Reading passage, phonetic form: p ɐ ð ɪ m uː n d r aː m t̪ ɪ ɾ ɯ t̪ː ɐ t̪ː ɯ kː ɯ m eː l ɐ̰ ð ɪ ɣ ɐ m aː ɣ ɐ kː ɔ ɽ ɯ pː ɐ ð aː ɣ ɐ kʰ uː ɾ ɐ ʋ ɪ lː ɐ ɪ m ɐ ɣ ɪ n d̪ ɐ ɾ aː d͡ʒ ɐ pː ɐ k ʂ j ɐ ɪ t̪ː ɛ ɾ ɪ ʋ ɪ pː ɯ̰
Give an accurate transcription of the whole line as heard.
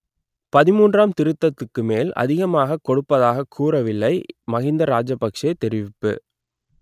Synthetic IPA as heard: p ɐ ð ɪ m uː n d r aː m t̪ ɪ ɾ ɯ t̪ː ɐ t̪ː ɯ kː ɯ m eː l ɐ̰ ð ɪ ɣ ɐ m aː ɣ ɐ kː ɔ ɽ ɯ pː ɐ ð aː ɣ ɐ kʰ uː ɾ ɐ ʋ ɪ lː ɐ ɪ m ɐ ɣ ɪ n d̪ ɐ ɾ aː d͡ʒ ɐ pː ɐ k ʂ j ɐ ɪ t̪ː ɛ ɾ ɪ ʋ ɪ pː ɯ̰